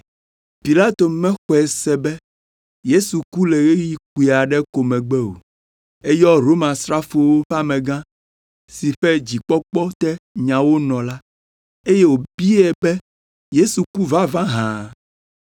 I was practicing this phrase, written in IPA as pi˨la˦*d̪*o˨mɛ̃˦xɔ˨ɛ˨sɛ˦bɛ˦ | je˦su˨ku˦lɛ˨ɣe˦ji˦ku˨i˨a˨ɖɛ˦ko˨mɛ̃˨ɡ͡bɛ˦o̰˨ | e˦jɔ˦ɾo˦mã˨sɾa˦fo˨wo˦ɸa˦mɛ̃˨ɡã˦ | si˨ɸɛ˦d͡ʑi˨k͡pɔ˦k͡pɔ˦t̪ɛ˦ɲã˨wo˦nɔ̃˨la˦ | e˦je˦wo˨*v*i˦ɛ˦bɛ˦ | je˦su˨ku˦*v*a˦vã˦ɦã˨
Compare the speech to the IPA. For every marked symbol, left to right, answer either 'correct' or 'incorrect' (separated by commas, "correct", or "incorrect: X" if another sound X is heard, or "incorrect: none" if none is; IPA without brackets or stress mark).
incorrect: t̪, incorrect: b, correct